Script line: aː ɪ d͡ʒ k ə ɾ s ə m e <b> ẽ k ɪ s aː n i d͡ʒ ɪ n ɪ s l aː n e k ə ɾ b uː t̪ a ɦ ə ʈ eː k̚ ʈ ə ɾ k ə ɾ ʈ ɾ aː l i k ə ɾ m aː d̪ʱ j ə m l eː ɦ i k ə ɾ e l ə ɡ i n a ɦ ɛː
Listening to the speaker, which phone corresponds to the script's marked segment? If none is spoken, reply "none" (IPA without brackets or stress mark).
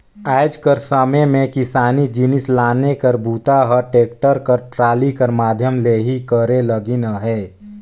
m